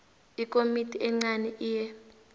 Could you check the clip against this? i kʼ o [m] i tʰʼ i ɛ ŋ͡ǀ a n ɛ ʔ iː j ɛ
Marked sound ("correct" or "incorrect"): correct